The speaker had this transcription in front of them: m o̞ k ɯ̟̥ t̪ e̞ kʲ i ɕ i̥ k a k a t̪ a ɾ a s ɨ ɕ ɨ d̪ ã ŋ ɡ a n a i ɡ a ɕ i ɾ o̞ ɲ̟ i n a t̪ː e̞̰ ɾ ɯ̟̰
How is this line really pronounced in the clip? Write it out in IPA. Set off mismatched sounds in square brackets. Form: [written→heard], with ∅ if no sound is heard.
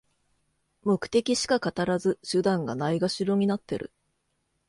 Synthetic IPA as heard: m o̞ k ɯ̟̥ t̪ e̞ kʲ i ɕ i̥ k a k a t̪ a ɾ a [s→z] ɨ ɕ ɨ d̪ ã ŋ ɡ a n a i ɡ a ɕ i ɾ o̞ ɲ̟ i n a t̪ː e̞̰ ɾ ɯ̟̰